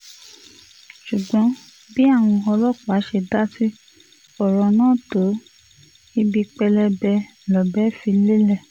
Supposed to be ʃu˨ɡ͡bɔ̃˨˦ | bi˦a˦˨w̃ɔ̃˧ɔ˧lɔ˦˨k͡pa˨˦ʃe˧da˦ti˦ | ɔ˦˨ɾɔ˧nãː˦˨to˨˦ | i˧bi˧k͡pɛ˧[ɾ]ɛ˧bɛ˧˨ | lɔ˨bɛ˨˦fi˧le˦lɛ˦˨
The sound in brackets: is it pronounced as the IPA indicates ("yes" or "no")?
no